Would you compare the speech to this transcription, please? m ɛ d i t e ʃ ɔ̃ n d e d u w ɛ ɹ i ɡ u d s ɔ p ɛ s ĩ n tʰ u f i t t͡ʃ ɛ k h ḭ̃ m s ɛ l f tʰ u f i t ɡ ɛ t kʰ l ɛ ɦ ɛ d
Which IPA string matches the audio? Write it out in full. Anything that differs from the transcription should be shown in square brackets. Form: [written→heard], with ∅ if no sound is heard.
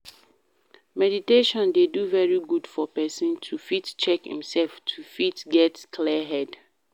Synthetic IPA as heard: m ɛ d i t e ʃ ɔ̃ n d e d u [w→v] ɛ ɹ i ɡ u d [s→f] ɔ p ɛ s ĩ n tʰ u f i t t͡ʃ ɛ k h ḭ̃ m s ɛ l f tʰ u f i t ɡ ɛ t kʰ l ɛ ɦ ɛ d